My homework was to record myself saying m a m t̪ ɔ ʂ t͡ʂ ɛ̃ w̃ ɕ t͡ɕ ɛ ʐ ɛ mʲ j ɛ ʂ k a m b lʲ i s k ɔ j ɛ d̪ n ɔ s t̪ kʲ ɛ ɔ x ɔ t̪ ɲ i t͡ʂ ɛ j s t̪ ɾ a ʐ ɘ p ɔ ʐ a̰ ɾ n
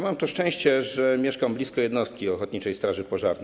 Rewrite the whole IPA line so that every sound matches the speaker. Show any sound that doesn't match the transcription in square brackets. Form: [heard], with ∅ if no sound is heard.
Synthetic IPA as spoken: m a m t̪ ɔ ʂ t͡ʂ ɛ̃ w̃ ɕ t͡ɕ ɛ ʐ ɛ mʲ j ɛ ʂ k a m b lʲ i s k ɔ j ɛ d̪ n ɔ s t̪ kʲ [i] ɔ x ɔ t̪ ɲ i t͡ʂ ɛ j s t̪ ɾ a ʐ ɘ p ɔ ʐ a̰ ɾ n